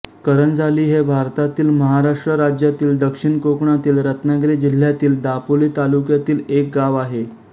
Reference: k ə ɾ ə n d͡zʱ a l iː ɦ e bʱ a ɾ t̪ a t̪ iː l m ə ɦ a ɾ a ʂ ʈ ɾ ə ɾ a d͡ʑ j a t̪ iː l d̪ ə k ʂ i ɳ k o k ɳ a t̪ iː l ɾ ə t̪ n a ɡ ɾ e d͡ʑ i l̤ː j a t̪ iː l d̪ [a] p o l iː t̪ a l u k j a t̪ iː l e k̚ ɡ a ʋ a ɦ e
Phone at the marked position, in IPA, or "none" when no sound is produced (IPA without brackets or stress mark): a